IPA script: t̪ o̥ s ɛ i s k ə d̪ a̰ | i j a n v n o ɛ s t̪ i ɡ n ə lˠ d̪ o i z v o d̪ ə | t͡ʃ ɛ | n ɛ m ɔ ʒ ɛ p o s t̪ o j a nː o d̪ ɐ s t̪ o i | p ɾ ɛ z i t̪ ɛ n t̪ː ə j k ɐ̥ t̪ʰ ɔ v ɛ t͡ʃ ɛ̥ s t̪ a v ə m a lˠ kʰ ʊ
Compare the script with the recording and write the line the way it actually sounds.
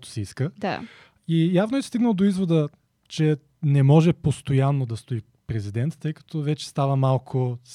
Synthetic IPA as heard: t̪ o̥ s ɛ i s k ə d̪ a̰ | i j a v n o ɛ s t̪ i ɡ n ə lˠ d̪ o i z v o d̪ ə | t͡ʃ ɛ | n ɛ m ɔ ʒ ɛ p o s t̪ o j a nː o d̪ ɐ s t̪ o i | p ɾ ɛ z i d̪ ɛ n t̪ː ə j k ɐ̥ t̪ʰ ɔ v ɛ t͡ʃ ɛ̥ s t̪ a v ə m a lˠ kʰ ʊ